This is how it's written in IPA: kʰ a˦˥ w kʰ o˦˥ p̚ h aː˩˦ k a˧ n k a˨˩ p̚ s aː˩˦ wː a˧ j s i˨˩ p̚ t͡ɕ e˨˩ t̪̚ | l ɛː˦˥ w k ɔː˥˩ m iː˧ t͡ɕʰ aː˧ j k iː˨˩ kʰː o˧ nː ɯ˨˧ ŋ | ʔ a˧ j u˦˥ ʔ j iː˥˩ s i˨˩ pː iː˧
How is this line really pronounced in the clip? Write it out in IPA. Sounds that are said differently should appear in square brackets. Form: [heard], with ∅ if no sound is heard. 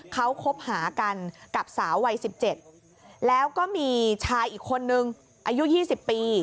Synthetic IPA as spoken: kʰ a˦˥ w kʰ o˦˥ p̚ h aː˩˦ k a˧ n k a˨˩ p̚ s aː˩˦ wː a˧ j s i˨˩ p̚ t͡ɕ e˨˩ t̪̚ | l ɛː˦˥ w k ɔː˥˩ m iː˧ t͡ɕʰ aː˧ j [ʔ] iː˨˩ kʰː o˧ nː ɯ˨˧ ŋ | ʔ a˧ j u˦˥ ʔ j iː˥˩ s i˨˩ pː iː˧